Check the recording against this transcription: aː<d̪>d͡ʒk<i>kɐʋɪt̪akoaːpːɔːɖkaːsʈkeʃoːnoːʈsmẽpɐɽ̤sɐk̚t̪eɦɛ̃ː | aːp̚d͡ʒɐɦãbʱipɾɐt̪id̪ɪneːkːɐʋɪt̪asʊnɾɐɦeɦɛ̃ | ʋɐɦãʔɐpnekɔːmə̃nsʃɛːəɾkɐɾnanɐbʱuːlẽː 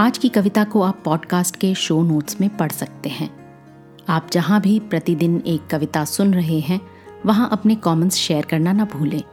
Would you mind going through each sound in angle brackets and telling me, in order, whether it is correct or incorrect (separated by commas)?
incorrect, correct